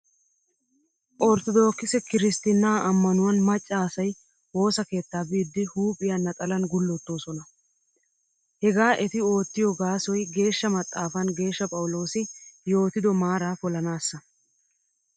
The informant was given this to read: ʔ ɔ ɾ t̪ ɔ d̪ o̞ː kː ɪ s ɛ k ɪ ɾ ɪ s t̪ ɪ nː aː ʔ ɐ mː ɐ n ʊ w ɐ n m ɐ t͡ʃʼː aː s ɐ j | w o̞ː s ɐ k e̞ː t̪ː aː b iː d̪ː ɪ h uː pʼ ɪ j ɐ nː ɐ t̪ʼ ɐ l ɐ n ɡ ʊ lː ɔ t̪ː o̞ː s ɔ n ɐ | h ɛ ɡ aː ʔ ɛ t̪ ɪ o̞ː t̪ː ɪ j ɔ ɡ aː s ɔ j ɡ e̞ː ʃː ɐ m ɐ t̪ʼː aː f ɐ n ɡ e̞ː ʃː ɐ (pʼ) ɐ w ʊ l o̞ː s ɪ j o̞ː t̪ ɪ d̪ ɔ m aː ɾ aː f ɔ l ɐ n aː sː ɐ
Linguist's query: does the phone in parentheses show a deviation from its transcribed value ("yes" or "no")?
no